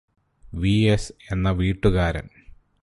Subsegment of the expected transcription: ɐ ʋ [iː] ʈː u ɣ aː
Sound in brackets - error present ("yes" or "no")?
no